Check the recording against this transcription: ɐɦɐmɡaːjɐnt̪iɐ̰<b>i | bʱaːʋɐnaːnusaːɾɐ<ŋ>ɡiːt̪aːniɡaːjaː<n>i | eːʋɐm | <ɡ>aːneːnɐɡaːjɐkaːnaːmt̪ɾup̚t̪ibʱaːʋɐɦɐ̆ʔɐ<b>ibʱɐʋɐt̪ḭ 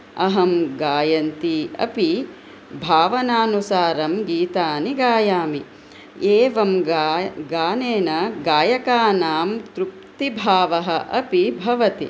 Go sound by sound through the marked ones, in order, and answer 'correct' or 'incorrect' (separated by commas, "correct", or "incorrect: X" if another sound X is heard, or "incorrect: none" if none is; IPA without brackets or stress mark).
incorrect: p, incorrect: m, incorrect: m, correct, incorrect: p